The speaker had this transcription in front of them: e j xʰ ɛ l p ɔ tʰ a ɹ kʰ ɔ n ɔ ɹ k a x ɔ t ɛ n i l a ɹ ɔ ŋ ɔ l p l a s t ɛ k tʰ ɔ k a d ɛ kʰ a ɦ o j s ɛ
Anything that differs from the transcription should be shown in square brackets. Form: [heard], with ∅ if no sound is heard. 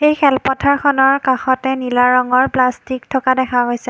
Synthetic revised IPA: e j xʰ ɛ l p ɔ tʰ a ɹ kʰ ɔ n ɔ ɹ k a x ɔ t ɛ n i l a ɹ ɔ ŋ ɔ [ɹ] p l a s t [i] k tʰ ɔ k a d ɛ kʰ a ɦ o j s ɛ